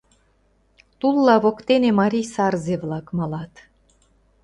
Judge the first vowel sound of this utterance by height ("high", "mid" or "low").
high